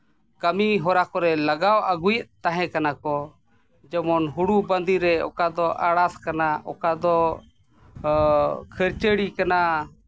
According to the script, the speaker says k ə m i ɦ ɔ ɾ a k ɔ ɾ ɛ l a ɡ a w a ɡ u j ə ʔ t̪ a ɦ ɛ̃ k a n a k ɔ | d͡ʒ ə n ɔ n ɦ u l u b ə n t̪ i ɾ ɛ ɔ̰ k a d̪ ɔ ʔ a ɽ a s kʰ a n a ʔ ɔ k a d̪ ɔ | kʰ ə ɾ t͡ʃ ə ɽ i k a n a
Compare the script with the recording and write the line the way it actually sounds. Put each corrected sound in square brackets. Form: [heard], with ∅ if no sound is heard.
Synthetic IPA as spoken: k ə m i ɦ ɔ ɾ a k ɔ ɾ ɛ l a ɡ a w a ɡ u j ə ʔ t̪ a ɦ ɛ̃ k a n a k ɔ | d͡ʒ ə [m] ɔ n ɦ u [ɽ] u b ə n [d̪] i ɾ ɛ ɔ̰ k a d̪ ɔ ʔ a ɽ a s [k] a n a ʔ ɔ k a d̪ ɔ | kʰ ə ɾ t͡ʃ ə ɽ i k a n a